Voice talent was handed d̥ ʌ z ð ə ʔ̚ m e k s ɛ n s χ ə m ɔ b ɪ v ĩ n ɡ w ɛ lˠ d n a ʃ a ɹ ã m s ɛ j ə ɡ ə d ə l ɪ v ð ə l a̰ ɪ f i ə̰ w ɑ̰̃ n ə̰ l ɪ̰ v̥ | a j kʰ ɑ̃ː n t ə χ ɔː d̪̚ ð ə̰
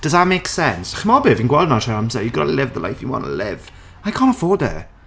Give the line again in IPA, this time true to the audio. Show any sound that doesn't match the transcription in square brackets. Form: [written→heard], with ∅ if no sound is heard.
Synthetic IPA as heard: d̥ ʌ z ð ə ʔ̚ m e k s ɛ n s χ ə m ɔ b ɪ v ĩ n ɡ w ɛ lˠ d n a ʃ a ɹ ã m s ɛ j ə ɡ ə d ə l ɪ v ð ə l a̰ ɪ f [i→j] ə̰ w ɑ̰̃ n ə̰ l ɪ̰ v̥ | a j kʰ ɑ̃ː n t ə [χ→f] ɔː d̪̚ ð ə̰